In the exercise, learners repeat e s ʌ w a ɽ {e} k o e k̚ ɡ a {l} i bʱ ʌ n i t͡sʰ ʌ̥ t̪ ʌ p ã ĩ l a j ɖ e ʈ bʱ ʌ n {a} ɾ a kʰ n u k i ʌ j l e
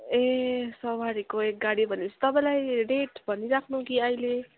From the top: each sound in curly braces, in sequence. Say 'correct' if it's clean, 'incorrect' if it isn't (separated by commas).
incorrect, incorrect, incorrect